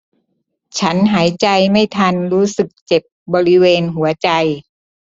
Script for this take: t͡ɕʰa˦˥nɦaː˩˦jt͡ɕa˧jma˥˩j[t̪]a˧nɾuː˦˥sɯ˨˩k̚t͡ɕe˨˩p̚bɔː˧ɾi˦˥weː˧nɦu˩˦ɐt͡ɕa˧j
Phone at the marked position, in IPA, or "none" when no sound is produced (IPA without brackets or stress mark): t̪ʰ